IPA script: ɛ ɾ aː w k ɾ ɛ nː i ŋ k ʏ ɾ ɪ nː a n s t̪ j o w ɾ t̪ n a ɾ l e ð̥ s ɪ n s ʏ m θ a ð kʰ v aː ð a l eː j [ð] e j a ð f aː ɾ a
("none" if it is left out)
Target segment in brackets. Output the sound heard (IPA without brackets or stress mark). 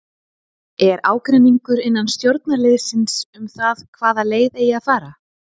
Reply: ð